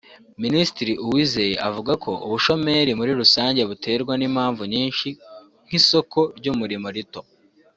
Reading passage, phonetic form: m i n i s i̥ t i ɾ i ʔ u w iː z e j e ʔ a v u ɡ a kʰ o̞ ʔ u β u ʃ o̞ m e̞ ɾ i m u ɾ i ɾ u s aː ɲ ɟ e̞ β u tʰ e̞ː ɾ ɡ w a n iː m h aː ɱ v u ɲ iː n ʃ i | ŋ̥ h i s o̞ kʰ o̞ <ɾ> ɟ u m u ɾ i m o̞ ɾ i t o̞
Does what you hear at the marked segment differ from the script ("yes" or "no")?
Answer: no